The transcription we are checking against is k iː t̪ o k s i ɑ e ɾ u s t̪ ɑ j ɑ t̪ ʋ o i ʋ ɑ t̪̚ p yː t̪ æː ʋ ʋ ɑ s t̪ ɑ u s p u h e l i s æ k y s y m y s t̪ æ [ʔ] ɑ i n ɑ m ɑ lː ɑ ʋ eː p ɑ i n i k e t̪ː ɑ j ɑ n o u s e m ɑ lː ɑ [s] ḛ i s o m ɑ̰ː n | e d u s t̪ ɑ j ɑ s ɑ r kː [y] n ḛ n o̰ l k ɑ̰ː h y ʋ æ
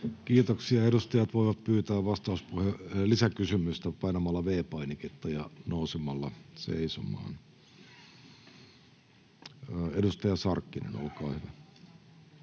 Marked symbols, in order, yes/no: no, yes, no

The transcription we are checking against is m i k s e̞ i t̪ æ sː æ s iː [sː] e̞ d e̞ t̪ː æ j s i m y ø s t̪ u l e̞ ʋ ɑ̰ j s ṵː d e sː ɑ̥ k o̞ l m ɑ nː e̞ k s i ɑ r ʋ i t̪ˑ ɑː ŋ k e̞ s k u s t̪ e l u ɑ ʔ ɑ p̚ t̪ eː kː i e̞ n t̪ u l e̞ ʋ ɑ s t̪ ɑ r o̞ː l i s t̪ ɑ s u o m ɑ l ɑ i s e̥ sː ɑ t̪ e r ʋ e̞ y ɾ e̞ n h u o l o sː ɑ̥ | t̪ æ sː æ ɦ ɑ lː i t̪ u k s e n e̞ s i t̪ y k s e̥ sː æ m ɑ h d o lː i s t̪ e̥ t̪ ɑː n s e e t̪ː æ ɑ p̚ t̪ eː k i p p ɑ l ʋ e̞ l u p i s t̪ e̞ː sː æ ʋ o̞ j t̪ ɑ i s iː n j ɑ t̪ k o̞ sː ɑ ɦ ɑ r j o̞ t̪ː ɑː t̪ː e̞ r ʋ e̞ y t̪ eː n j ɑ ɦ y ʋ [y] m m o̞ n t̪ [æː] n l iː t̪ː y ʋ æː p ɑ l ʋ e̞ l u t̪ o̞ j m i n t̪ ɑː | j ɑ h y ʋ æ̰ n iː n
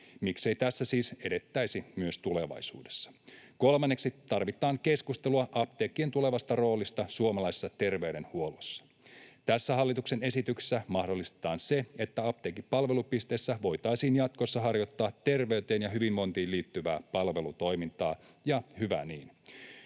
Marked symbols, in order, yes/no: no, no, no

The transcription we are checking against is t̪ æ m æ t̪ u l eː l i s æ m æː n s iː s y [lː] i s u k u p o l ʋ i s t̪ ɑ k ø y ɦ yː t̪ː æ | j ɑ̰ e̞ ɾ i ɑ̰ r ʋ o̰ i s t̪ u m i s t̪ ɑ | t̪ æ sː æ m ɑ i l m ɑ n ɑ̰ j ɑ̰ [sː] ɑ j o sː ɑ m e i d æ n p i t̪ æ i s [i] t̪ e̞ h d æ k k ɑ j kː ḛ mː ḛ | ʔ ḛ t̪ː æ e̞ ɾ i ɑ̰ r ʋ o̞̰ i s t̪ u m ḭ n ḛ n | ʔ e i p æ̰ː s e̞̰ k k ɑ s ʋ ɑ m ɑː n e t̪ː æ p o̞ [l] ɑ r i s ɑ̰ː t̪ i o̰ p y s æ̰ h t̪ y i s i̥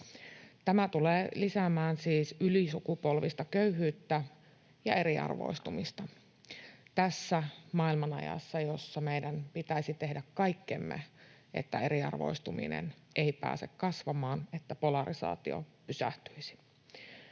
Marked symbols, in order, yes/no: no, yes, yes, yes

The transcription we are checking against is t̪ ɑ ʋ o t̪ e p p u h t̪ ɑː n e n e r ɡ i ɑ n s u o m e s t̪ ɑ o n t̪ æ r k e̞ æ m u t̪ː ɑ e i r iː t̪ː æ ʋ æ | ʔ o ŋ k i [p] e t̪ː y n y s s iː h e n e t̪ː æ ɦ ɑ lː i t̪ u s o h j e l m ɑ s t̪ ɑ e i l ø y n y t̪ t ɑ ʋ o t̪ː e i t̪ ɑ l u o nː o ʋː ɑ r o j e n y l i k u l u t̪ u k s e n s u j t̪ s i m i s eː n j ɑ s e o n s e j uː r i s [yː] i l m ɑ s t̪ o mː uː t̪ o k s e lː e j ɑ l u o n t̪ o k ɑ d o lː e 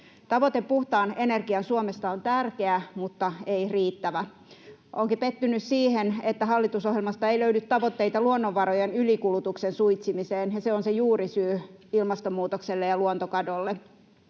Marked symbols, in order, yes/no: yes, yes

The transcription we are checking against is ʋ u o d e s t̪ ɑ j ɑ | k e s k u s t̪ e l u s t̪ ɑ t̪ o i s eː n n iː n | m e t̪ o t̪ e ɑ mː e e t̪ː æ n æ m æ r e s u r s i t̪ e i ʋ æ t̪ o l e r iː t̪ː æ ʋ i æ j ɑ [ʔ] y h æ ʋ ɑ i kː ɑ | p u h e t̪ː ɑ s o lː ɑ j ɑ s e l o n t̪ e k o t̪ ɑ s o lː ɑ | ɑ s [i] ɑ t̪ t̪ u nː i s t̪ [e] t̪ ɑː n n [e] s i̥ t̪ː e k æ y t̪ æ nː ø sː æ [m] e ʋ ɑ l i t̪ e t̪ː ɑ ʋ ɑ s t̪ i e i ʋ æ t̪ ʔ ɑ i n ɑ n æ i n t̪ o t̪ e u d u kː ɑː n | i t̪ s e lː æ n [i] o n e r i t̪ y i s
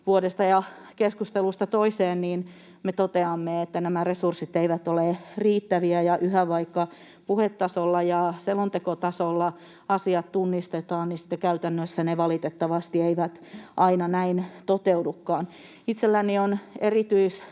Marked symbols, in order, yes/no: yes, yes, yes, no, no, yes

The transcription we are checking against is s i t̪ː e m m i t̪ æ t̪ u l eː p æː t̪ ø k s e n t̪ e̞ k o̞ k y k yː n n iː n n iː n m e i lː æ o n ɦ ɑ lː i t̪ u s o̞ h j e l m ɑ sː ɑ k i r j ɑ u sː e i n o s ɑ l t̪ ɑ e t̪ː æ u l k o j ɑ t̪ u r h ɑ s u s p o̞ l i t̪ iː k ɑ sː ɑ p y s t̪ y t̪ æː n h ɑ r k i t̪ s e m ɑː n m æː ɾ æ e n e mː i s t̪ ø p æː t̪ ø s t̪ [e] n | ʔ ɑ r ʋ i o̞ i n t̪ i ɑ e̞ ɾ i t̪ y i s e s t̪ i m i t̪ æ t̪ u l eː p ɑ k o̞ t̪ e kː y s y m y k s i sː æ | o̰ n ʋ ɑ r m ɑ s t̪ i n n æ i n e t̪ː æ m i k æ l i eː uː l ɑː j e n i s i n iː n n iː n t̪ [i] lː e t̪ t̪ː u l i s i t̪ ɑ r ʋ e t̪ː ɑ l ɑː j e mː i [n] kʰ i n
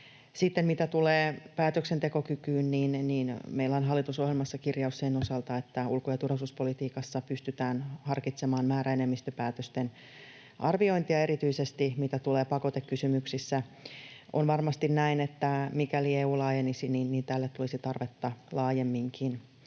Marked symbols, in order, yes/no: yes, no, no

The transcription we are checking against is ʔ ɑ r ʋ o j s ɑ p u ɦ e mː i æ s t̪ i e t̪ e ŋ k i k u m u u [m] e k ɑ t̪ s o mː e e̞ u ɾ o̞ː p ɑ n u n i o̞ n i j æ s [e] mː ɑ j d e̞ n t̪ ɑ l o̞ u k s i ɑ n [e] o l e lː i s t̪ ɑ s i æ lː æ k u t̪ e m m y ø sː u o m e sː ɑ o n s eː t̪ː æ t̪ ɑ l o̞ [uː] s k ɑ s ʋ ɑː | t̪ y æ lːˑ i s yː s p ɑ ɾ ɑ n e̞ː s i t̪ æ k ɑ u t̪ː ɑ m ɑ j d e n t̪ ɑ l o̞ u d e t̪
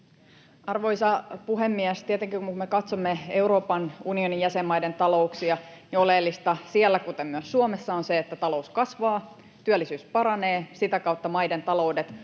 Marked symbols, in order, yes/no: yes, yes, no, no

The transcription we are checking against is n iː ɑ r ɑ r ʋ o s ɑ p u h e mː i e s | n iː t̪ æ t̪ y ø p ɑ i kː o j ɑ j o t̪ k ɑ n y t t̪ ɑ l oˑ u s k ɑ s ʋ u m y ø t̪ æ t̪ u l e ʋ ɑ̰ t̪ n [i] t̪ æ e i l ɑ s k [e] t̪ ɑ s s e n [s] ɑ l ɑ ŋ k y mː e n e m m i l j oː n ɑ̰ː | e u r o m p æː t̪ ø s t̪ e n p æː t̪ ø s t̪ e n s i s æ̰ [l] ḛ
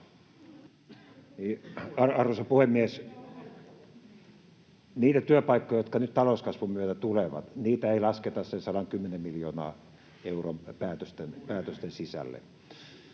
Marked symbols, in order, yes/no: no, yes, yes, no

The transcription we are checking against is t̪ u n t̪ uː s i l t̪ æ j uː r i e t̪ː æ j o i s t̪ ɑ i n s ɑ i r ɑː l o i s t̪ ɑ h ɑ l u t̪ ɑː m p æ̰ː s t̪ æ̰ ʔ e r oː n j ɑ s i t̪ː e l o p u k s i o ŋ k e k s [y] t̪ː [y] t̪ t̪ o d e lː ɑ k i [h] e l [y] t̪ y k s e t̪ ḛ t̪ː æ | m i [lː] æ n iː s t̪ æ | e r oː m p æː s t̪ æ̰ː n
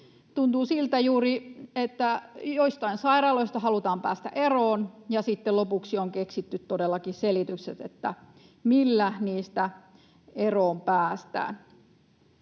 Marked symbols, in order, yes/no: no, yes, no, no, yes

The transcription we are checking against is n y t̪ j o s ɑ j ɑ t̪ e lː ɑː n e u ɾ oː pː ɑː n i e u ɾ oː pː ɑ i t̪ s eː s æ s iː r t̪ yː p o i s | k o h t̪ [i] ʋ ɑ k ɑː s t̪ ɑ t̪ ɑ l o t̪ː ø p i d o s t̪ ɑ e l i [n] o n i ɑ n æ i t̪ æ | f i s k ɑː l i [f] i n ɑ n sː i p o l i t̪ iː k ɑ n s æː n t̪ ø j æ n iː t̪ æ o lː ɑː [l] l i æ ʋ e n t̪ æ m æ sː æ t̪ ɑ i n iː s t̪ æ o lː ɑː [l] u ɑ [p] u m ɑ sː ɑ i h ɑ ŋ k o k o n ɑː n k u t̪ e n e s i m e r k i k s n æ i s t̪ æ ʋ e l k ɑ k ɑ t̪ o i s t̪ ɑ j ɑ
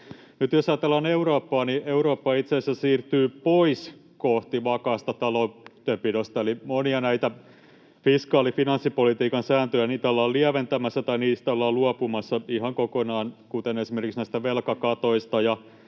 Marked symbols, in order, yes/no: yes, no, yes, yes, yes, yes

